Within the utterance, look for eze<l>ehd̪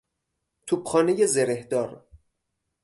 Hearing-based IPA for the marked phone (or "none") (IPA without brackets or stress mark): ɾ